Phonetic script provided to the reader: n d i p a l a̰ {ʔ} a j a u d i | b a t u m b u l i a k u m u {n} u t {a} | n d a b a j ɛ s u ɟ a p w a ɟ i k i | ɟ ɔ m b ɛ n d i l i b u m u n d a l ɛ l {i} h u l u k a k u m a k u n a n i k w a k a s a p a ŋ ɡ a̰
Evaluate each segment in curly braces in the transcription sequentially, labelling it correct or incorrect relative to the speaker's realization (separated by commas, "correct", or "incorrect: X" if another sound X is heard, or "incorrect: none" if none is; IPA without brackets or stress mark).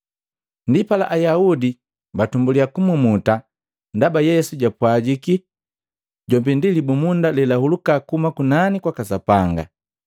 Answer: correct, incorrect: m, correct, incorrect: a